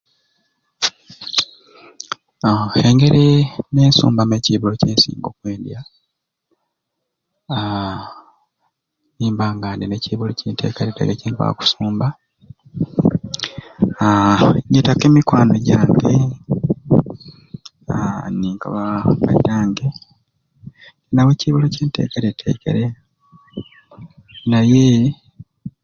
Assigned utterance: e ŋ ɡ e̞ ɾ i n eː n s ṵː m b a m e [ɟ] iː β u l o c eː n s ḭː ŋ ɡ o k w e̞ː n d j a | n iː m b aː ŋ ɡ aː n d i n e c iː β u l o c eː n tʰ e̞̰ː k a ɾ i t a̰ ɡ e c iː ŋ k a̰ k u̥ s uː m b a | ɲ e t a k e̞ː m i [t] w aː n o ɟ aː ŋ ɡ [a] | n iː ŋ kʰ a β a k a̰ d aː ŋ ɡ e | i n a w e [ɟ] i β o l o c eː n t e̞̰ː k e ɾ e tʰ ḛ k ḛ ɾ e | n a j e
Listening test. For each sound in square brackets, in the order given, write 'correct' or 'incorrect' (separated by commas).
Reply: incorrect, incorrect, incorrect, incorrect